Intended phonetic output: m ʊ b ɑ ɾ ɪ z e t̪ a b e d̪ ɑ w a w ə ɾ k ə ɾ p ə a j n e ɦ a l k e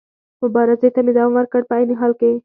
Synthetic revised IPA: m ʊ b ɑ ɾ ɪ z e t̪ a m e d̪ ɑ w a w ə ɾ k ə ɽ p ə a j n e ɦ ɑ l k e